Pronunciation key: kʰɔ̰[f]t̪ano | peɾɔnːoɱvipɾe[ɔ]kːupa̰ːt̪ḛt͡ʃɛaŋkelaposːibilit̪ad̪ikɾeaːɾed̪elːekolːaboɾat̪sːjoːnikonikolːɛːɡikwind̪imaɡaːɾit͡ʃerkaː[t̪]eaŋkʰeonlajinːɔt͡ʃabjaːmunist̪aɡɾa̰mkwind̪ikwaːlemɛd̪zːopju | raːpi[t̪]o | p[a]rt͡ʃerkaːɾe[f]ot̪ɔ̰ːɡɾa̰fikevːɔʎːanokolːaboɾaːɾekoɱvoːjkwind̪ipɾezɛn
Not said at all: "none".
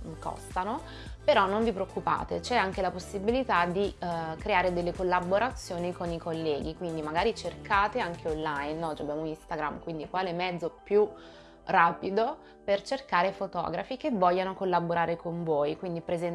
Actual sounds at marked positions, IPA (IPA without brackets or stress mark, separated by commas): s, o, t̪, d̪, e, f